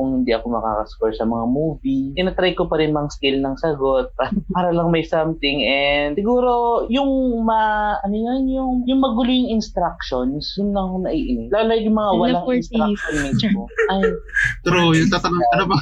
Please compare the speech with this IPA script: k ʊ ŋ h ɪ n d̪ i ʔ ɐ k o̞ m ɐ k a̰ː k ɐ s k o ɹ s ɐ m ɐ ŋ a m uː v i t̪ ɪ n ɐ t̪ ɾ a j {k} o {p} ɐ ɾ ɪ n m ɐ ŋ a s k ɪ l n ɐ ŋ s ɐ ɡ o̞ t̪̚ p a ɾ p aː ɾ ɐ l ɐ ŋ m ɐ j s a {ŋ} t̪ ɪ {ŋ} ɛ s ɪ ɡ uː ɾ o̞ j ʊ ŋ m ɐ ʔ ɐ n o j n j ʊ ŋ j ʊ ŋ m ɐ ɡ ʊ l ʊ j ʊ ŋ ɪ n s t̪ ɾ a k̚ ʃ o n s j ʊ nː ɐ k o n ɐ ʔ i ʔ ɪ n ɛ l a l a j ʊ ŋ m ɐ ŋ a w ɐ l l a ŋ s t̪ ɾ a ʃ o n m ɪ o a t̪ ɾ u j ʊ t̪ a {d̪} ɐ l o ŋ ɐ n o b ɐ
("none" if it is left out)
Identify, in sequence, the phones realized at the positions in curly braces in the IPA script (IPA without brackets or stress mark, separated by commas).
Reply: k, p, m, ŋ, t̪